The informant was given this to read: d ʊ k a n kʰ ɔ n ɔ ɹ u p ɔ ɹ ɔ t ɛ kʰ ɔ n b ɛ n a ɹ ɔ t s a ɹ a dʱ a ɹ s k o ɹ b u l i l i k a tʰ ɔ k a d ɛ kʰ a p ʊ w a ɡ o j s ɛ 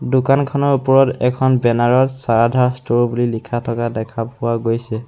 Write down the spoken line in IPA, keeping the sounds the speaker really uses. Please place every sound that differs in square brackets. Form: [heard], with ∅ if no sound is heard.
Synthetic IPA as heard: d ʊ k a n kʰ ɔ n ɔ ɹ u p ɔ ɹ ɔ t ɛ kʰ ɔ n b ɛ n a ɹ ɔ t s a ɹ a dʱ a ɹ s [t] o ɹ b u l i l i [kʰ] a tʰ ɔ k a d ɛ kʰ a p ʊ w a ɡ o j s ɛ